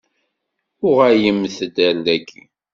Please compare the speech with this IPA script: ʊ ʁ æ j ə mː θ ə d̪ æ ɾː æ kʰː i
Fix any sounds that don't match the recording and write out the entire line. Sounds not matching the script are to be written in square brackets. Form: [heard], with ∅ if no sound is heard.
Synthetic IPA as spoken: ʊ ʁ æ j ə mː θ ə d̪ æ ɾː æ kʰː i